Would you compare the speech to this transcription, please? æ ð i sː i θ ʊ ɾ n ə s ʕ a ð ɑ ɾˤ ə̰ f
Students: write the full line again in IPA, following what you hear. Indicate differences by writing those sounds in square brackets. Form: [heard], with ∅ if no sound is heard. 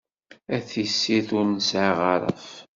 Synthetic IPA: æ [θ] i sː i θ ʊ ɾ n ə s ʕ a [ʁ] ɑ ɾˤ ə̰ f

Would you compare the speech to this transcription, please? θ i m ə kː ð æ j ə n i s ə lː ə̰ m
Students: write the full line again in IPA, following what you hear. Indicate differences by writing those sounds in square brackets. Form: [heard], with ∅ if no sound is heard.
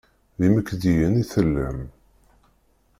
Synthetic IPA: [ð] i m ə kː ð [i] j ə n i [θ] ə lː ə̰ m

